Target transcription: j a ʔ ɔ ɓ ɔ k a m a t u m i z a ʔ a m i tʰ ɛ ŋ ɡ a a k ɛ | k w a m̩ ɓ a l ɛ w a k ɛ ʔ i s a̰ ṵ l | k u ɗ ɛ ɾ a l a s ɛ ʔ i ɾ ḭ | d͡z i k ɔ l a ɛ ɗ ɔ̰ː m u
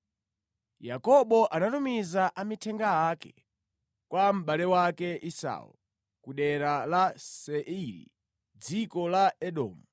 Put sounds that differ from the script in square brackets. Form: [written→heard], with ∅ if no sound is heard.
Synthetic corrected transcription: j a [ʔ→k] ɔ ɓ ɔ [k→ʔ] a [m→n] a t u m i z a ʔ a m i tʰ ɛ ŋ ɡ a a k ɛ | k w a m̩ ɓ a l ɛ w a k ɛ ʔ i s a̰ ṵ l | k u ɗ ɛ ɾ a l a s ɛ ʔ i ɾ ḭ | d͡z i k ɔ l a ɛ ɗ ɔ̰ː m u